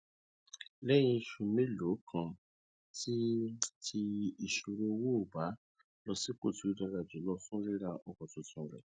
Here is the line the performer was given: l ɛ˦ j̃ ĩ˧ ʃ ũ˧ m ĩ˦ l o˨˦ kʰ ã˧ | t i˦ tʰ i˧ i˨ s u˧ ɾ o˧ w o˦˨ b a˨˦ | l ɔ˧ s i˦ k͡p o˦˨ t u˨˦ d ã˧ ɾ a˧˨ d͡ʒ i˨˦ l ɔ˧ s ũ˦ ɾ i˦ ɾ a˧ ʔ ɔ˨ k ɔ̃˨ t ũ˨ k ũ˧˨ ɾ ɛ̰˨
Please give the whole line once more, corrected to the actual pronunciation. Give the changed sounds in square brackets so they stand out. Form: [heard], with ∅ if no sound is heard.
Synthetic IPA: l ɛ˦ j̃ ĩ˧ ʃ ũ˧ m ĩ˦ l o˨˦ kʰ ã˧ | t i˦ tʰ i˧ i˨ [ʃ] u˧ ɾ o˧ w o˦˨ b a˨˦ | l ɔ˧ s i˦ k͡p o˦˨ t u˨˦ d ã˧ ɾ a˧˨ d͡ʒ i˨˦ l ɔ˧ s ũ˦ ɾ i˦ ɾ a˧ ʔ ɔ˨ k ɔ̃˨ t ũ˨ [t] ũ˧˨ ɾ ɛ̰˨